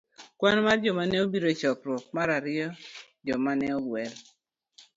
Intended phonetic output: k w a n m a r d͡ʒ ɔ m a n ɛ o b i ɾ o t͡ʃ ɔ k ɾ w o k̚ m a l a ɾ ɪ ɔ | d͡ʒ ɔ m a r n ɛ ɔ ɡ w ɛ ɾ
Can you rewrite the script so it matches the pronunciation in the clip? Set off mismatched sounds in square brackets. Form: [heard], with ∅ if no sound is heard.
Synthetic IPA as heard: k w a n m a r d͡ʒ ɔ m a n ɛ o b i ɾ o t͡ʃ ɔ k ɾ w [ɔ] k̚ m a [ɾ] a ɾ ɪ ɔ | d͡ʒ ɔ m a [∅] n ɛ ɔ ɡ w ɛ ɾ